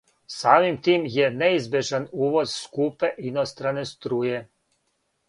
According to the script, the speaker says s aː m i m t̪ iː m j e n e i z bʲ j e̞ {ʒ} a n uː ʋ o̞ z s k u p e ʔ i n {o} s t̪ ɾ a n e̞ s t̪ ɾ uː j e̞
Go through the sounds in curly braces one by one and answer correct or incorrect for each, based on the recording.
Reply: correct, correct

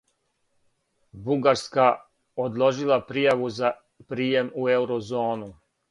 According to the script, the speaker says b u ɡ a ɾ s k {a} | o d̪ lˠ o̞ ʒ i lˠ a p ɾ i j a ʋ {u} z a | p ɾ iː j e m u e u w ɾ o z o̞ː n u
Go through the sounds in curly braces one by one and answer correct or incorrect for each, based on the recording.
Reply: correct, correct

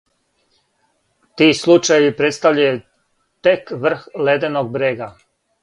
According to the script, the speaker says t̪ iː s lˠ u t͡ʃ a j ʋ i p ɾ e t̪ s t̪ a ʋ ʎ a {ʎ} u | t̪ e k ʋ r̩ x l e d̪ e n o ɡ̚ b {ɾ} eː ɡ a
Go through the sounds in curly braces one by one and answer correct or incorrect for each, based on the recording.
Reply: incorrect: j, correct

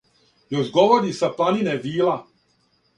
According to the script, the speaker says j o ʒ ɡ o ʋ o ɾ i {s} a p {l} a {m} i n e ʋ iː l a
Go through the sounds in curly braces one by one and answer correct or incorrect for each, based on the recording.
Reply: correct, correct, incorrect: n

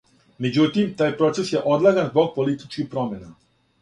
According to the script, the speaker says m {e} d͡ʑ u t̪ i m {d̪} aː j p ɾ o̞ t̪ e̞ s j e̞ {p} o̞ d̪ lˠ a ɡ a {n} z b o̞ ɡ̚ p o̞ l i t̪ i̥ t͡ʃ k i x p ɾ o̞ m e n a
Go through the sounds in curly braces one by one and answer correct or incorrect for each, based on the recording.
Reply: correct, incorrect: t̪, incorrect: ʔ, correct

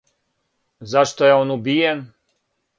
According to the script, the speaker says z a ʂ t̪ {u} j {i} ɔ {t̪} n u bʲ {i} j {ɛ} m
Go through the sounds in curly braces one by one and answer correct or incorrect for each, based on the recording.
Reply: incorrect: ɔ, incorrect: a, incorrect: none, correct, correct

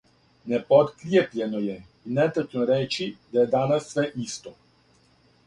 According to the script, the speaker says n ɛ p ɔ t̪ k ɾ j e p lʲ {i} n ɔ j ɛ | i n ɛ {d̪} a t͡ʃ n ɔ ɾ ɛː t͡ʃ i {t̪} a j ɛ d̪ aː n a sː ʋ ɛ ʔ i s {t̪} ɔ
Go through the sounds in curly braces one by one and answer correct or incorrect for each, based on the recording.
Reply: incorrect: ɛ, incorrect: t̪, incorrect: d̪, correct

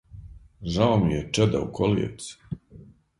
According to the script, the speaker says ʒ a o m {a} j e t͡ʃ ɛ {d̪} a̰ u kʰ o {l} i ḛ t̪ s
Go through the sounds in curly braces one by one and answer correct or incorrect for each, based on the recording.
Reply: incorrect: i, correct, correct

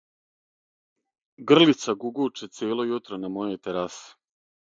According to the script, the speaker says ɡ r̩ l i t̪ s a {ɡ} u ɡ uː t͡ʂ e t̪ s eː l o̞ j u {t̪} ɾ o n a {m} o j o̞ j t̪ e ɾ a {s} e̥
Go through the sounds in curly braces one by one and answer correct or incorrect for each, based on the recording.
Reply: correct, correct, correct, correct

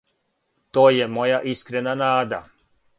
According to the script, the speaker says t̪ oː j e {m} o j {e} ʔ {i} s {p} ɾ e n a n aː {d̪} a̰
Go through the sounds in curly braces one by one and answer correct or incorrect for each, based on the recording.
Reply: correct, incorrect: a, correct, incorrect: k, correct

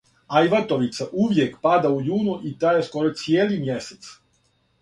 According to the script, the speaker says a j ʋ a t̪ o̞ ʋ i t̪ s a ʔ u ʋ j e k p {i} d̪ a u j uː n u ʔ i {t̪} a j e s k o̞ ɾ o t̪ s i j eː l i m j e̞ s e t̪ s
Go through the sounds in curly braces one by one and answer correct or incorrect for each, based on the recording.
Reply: incorrect: a, correct

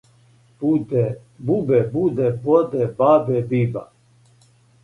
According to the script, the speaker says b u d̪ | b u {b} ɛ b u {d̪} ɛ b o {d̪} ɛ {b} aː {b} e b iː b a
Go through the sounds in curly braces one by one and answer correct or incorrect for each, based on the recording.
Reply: correct, correct, correct, correct, correct

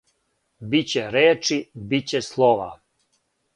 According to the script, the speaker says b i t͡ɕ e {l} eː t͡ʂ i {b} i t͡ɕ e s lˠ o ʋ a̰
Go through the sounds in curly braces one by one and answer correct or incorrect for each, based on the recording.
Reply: incorrect: ɾ, correct

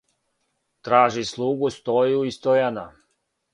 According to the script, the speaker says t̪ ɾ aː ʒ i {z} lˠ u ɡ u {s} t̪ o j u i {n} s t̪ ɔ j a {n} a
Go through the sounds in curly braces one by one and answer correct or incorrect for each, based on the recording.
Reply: incorrect: s, correct, incorrect: none, correct

